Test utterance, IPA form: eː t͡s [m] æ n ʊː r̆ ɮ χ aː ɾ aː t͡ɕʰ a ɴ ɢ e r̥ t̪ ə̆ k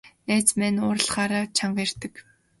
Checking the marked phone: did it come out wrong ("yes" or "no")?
no